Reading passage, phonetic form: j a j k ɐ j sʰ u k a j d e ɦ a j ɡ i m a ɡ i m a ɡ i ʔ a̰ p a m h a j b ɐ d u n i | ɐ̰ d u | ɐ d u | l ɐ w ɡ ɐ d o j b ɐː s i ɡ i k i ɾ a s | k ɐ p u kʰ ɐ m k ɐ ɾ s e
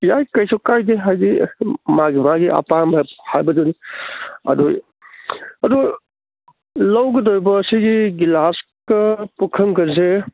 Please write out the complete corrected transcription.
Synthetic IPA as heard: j a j k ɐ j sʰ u k a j d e ɦ a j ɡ i m a ɡ i m a ɡ i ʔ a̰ p a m h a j b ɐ d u n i | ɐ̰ d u | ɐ d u | l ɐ w ɡ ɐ d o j b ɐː s i ɡ i ɡ i l a s | k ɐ p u kʰ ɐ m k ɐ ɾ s e